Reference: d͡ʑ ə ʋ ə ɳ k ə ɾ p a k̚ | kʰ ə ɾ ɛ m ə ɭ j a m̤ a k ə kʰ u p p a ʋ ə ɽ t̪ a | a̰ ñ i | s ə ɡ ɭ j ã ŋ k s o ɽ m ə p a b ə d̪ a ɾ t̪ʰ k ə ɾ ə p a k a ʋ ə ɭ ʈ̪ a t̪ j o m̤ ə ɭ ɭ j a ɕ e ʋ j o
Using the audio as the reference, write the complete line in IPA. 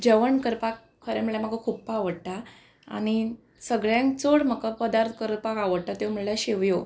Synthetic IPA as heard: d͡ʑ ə ʋ ə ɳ k ə ɾ p a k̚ | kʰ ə ɾ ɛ m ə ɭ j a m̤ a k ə kʰ u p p a ʋ ə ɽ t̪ a | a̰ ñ i | s ə ɡ ɭ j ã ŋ k t͡s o ɽ m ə k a p ə d̪ a ɾ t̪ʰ k ə ɾ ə p a k a ʋ ə ɽ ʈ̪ a t̪ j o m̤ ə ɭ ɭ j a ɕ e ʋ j o